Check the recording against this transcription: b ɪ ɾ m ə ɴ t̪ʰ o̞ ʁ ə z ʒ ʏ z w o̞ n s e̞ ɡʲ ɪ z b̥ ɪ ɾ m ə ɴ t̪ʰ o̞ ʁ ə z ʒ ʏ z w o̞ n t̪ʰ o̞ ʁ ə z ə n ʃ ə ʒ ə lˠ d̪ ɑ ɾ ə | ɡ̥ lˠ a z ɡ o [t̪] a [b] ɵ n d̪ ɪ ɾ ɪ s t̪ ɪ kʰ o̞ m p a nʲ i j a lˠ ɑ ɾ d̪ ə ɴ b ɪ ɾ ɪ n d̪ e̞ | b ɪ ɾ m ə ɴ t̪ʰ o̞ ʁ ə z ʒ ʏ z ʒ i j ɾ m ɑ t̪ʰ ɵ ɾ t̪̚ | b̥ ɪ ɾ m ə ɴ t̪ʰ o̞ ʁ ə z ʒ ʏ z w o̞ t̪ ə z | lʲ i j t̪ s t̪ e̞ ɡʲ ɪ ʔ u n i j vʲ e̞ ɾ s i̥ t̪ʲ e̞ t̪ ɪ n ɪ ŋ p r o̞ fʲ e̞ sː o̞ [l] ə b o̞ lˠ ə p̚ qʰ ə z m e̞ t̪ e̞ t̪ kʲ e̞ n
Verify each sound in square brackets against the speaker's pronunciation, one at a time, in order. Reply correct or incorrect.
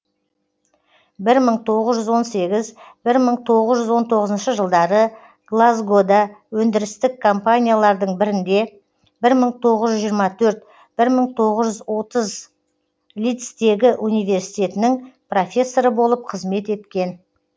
incorrect: d̪, incorrect: w, incorrect: ɾ

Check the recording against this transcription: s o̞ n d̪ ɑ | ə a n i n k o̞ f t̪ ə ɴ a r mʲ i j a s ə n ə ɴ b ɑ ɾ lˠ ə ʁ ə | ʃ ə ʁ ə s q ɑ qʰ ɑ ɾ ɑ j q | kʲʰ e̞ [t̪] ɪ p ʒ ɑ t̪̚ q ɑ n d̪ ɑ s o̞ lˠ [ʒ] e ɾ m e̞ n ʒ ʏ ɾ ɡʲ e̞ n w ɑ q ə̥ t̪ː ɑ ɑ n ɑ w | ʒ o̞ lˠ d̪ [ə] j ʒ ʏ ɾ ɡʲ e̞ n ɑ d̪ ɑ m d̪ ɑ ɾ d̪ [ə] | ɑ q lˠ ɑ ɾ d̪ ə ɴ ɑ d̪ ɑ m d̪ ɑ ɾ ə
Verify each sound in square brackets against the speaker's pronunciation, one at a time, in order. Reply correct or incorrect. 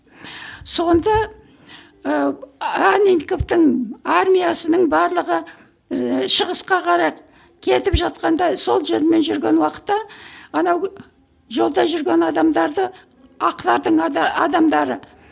correct, correct, incorrect: ɑ, correct

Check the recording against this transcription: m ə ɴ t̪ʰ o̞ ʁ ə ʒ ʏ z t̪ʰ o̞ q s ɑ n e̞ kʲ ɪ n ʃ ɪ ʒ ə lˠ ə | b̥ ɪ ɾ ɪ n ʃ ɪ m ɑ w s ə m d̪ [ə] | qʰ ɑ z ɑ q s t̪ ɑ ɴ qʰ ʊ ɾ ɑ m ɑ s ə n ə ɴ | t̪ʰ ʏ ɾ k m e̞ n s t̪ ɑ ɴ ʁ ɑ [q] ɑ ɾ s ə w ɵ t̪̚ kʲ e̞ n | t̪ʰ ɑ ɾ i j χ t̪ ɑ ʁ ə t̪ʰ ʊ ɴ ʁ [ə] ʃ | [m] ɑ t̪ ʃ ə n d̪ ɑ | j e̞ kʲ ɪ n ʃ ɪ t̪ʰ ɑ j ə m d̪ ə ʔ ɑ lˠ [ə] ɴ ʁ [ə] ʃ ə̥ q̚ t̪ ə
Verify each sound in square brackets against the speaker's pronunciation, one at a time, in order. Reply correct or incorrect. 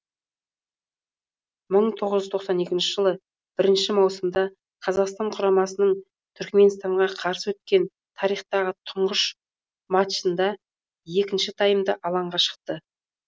incorrect: ɑ, incorrect: qʰ, correct, correct, incorrect: ɑ, incorrect: ɑ

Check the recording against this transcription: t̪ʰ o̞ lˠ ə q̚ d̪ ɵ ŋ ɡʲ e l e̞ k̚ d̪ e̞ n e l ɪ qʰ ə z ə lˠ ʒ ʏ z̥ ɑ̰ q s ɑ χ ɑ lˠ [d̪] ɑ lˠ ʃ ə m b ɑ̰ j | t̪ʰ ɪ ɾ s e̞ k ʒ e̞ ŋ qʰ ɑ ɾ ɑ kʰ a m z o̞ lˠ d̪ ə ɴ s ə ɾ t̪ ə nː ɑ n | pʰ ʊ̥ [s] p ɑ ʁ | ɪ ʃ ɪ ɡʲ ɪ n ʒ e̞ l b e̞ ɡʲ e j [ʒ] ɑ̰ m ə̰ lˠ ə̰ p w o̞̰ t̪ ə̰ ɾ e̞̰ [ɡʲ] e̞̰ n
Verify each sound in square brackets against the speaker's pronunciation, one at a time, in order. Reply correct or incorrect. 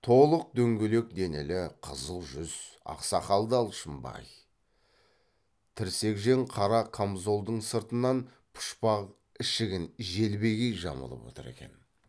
correct, incorrect: ʃ, correct, incorrect: kʲ

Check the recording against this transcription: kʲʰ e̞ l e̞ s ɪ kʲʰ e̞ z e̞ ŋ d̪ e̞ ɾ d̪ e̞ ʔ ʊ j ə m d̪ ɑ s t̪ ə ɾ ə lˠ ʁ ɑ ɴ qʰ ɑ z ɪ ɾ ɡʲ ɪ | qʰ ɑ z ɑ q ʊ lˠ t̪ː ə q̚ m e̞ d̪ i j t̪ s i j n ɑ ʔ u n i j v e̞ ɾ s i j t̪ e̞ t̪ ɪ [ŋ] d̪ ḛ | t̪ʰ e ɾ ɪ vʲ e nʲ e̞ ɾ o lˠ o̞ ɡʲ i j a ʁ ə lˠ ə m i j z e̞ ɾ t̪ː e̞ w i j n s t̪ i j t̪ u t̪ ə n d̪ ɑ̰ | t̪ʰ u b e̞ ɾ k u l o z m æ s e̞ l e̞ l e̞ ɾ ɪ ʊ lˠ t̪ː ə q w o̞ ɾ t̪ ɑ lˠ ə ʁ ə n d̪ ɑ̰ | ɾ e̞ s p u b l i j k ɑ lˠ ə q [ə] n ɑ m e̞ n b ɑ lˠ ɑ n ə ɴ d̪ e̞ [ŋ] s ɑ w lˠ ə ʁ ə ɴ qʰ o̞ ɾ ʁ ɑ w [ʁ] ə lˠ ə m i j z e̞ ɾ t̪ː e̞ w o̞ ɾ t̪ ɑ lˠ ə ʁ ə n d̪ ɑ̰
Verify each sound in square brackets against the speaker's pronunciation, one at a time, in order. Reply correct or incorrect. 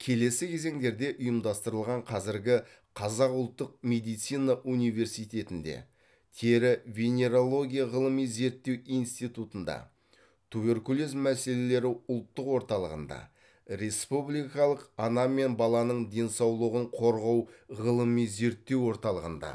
incorrect: n, incorrect: ɑ, incorrect: n, correct

